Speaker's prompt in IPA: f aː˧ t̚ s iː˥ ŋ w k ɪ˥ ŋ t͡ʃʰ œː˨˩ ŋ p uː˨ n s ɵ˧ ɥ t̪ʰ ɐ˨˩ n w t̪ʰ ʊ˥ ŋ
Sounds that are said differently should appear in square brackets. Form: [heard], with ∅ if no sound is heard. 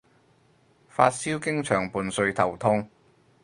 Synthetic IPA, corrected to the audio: f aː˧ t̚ s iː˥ [∅] w k ɪ˥ ŋ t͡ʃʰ œː˨˩ ŋ p uː˨ n s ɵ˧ ɥ t̪ʰ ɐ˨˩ [∅] w t̪ʰ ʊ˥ ŋ